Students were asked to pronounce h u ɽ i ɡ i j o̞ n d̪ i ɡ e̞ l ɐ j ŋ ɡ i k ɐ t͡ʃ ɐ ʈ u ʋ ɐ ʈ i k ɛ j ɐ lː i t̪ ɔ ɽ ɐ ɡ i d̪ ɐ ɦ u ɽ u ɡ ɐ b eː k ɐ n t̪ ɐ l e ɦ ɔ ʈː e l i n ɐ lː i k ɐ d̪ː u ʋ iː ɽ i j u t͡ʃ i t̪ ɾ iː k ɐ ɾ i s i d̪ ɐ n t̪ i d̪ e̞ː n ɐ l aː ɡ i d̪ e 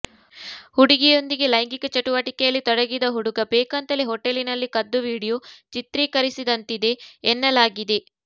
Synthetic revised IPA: h u ɽ i ɡ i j o̞ n d̪ i ɡ e̞ l ɐ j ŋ ɡ i k ɐ t͡ʃ ɐ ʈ u ʋ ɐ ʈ i k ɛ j ɐ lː i t̪ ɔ ɽ ɐ ɡ i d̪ ɐ ɦ u ɽ u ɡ ɐ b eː k ɐ n t̪ ɐ l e ɦ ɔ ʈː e l i n ɐ lː i k ɐ d̪ː u ʋ iː ɽ i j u t͡ʃ i t̪ ɾ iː k ɐ ɾ i s i d̪ ɐ n t̪ i d̪ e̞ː nː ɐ l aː ɡ i d̪ e